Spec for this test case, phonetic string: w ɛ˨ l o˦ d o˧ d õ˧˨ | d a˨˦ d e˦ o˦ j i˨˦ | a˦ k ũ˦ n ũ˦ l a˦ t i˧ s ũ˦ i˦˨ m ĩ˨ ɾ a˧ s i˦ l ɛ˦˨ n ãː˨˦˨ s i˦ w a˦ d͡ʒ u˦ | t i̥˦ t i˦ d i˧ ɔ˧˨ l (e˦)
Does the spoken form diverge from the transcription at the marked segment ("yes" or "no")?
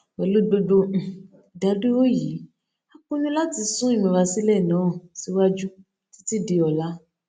yes